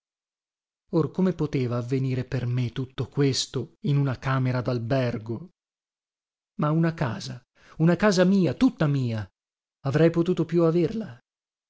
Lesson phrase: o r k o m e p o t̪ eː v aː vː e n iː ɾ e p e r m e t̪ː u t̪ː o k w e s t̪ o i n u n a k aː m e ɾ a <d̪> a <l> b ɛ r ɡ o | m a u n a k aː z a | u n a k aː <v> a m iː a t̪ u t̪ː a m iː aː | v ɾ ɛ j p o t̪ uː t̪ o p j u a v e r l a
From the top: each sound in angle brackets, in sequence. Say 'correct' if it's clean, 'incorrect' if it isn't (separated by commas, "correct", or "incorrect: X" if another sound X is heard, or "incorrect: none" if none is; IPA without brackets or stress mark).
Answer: correct, correct, incorrect: z